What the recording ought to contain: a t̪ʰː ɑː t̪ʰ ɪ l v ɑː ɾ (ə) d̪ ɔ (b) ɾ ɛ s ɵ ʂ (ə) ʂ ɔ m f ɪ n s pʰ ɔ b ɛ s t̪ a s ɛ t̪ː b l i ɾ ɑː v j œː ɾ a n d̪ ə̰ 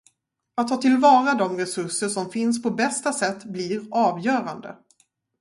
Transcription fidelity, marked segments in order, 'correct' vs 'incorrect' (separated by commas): incorrect, incorrect, correct